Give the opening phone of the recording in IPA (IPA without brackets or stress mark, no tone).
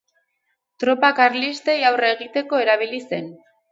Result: t̪